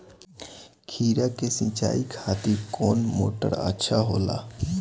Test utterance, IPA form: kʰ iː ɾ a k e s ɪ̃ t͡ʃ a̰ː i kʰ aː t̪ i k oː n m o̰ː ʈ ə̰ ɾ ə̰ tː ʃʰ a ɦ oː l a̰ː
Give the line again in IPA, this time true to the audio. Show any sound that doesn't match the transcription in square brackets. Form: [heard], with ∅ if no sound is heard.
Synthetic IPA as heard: kʰ iː ɾ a k e s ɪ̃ t͡ʃ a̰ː i kʰ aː t̪ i k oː n m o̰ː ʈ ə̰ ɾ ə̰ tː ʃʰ a ɦ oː l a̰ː

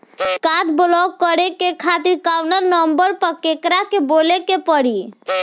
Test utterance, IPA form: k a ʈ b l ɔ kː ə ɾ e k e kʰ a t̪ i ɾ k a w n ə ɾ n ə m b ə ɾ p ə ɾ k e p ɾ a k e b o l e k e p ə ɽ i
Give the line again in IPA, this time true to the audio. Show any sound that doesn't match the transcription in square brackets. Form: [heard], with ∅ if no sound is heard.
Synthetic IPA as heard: k a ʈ b l ɔ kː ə ɾ e k e kʰ a t̪ i ɾ k a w n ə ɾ n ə m b ə ɾ p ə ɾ k e [k] ɾ a k e b o l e k e p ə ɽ i

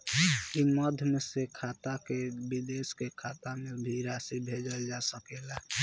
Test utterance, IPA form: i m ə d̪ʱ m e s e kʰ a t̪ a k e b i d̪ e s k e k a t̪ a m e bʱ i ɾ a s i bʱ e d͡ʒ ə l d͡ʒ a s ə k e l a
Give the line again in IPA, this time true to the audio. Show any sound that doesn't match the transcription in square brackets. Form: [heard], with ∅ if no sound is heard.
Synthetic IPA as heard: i m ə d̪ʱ m e s e kʰ a t̪ a k e b i d̪ e s k e [kʰ] a t̪ a m e bʱ i ɾ a s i bʱ e d͡ʒ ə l d͡ʒ a s ə k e l a

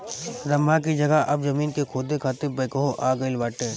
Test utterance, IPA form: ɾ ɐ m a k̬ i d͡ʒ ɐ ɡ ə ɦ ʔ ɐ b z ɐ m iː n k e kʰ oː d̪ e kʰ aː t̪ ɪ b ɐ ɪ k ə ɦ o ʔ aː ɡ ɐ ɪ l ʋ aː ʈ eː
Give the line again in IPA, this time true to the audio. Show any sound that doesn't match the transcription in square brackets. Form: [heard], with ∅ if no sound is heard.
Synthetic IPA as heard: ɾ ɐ m a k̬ i d͡ʒ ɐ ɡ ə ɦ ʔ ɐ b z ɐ m iː n k e kʰ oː d̪ e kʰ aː t̪ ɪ b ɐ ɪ k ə ɦ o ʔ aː ɡ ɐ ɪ l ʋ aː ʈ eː

